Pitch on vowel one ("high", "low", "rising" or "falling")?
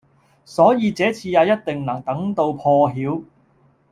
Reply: rising